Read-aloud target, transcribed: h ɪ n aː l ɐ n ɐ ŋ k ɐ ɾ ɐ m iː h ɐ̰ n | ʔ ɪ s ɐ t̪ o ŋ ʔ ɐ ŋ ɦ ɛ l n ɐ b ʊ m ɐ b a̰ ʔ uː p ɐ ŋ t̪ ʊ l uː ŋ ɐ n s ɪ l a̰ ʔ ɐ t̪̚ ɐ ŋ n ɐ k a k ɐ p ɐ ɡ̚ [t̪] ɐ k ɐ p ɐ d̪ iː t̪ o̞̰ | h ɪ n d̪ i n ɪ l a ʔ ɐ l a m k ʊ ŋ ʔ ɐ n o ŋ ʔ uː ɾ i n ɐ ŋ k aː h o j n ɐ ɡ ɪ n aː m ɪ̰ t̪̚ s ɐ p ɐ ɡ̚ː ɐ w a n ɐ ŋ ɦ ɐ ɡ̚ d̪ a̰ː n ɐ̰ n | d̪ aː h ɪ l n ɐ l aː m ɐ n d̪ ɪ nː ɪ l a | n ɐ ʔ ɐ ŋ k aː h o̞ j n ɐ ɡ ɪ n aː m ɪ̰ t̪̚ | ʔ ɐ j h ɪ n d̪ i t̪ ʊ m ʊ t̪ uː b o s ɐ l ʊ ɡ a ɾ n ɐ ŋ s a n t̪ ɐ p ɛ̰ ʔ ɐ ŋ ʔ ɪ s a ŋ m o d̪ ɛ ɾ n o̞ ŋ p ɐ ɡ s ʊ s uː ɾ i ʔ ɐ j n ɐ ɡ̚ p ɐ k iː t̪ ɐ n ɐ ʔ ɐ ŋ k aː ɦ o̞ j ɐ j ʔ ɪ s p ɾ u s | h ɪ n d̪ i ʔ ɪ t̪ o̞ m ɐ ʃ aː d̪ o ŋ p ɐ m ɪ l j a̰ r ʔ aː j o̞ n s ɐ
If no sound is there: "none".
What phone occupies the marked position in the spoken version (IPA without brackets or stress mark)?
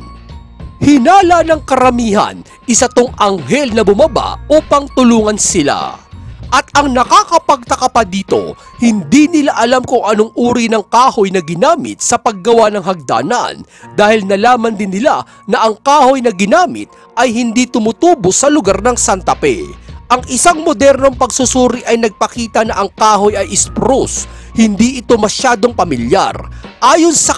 t̪